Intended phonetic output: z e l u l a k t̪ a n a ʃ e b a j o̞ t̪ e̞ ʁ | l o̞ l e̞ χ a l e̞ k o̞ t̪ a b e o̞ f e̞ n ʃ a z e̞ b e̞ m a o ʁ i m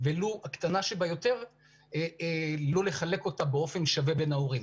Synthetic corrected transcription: v e l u a k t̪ a n a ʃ e b a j o̞ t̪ e̞ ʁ | l o̞ l e̞ χ a l e̞ k o̞ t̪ a b e o̞ f e̞ n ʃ a v e̞ b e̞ n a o ʁ i m